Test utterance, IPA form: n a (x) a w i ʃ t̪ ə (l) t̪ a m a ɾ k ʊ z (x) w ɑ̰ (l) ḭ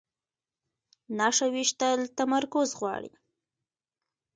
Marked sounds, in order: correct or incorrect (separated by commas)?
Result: incorrect, correct, incorrect, incorrect